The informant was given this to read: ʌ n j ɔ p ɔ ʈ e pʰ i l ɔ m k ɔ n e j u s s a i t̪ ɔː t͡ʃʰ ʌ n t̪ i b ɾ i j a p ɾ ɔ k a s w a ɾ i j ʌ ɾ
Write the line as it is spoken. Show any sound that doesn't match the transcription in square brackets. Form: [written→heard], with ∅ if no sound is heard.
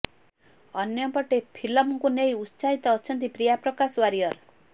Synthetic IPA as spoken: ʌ n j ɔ p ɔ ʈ e pʰ i l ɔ m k [ɔ→u] n e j u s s a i t̪ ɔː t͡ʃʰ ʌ n t̪ i [b→p] ɾ i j a p ɾ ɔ k a s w a ɾ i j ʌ ɾ